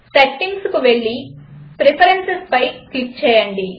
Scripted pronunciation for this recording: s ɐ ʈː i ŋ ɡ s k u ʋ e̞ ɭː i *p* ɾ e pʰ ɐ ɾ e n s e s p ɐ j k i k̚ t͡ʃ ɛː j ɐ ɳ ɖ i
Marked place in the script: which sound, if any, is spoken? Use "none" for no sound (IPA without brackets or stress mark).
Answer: p